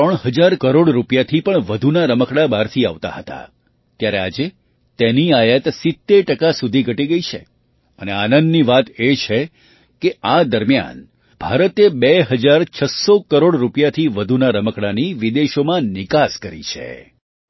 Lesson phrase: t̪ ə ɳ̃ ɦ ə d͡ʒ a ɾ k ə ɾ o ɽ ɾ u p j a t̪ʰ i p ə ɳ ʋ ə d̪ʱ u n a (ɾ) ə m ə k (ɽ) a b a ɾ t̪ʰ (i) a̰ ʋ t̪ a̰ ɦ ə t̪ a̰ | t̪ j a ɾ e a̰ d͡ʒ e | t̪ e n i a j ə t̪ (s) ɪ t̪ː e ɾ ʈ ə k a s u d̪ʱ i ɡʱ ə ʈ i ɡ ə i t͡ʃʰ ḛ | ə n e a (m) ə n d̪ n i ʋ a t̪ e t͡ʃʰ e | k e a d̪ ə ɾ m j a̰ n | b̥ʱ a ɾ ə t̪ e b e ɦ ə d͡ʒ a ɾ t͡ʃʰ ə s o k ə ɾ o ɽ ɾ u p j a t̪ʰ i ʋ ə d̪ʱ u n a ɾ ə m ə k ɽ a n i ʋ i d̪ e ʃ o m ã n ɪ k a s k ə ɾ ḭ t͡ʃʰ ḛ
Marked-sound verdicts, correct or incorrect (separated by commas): correct, correct, correct, correct, incorrect